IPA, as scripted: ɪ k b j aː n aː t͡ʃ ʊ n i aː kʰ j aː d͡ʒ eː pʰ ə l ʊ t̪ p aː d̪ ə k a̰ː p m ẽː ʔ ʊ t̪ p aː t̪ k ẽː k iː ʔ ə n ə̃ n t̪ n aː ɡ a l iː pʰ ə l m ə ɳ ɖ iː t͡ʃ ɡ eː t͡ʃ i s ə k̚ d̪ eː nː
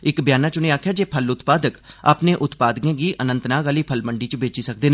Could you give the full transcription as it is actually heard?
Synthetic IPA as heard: ɪ k b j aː n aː t͡ʃ ʊ n i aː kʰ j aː d͡ʒ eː pʰ ə l ʊ t̪ p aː d̪ ə k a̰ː p n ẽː ʔ ʊ t̪ p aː d̪ k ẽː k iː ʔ ə n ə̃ n t̪ n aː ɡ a l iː pʰ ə l m ə ɳ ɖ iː t͡ʃ b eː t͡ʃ i s ə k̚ d̪ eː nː